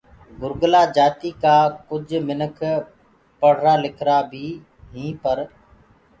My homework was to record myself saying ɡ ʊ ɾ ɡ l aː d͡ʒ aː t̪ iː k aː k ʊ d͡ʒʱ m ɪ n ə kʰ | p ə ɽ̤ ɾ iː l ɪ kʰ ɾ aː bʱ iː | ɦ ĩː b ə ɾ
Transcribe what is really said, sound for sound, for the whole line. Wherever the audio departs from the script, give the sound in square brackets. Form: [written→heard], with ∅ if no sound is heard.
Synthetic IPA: ɡ ʊ ɾ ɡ l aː d͡ʒ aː t̪ iː k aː k ʊ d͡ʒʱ m ɪ n ə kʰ | p ə ɽ̤ ɾ [iː→aː] l ɪ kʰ ɾ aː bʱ iː | ɦ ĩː [b→p] ə ɾ